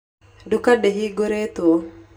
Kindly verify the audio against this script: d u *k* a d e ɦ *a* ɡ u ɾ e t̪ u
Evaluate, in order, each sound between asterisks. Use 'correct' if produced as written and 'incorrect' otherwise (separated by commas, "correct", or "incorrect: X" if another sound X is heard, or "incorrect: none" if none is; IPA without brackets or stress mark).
correct, incorrect: i